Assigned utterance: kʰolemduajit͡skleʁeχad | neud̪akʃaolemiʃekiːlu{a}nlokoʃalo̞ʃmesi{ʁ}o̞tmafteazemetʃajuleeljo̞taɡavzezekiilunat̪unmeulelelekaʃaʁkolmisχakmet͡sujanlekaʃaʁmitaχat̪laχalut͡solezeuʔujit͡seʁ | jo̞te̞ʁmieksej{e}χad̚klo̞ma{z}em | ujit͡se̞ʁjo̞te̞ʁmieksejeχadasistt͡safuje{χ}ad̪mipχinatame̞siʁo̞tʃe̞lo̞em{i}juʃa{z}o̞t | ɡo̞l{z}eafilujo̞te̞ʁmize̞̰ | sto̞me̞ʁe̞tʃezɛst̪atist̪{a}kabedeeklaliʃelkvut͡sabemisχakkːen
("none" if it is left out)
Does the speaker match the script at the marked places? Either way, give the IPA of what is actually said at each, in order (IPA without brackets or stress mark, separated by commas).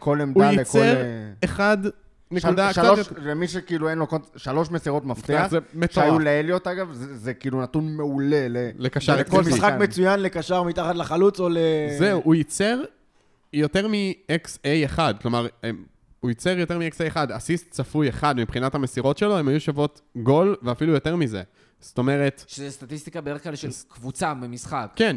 e, ʁ, e, ʁ, χ, a, v, v, i